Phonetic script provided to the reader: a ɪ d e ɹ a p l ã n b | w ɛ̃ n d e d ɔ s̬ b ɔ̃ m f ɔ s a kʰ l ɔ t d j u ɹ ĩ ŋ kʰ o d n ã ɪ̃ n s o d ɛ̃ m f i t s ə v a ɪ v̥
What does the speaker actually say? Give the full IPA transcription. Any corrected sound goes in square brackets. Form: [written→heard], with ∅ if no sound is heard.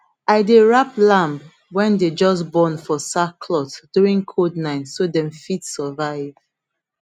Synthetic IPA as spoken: a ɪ d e ɹ a p l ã [n→m] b | w ɛ̃ n d e [d→d͡ʒ] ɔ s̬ b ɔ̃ [m→n] f ɔ s a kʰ l ɔ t d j u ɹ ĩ ŋ kʰ o d n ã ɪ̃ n s o d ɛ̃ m f i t s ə v a ɪ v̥